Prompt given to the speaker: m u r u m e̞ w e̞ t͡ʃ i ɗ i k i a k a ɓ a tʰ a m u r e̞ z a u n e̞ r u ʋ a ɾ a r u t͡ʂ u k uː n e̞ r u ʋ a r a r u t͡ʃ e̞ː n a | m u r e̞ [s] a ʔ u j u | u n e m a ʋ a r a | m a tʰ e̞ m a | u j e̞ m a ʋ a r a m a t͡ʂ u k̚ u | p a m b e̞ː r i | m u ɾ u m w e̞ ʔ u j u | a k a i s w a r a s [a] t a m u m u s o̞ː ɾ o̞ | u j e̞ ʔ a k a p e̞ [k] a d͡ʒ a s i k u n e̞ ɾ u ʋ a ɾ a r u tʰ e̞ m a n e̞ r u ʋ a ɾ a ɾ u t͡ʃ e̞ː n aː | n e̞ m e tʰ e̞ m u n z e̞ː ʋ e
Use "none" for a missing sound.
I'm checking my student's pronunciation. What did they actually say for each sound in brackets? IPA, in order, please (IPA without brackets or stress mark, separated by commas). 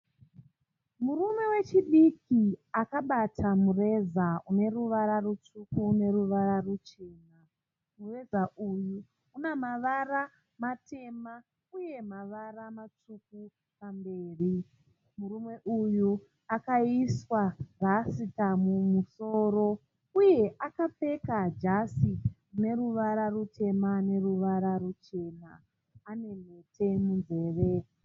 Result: z, i, k